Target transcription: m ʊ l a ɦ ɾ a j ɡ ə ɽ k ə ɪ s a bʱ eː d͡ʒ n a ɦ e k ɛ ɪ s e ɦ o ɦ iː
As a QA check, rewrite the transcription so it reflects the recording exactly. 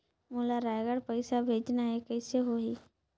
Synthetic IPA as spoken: m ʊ l a ɾ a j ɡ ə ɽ p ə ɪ s a bʱ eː d͡ʒ n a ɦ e k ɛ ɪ s e ɦ o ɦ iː